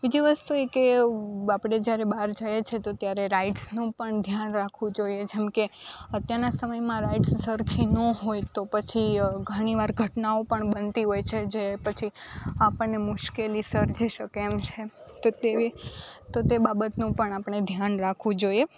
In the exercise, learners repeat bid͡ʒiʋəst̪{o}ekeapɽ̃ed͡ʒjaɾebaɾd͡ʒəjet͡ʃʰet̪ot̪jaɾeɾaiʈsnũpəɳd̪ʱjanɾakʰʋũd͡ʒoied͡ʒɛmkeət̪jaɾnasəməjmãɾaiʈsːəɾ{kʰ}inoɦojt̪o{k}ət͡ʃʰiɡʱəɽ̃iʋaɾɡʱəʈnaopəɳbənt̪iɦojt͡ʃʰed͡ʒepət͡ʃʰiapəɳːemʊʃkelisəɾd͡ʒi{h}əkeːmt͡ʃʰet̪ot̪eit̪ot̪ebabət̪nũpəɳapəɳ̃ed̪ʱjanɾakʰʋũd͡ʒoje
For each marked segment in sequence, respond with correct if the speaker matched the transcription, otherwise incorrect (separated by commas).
incorrect, correct, incorrect, incorrect